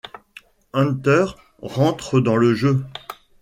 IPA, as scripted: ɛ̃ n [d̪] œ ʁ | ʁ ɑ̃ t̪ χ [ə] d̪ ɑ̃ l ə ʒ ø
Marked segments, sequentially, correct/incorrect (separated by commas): incorrect, correct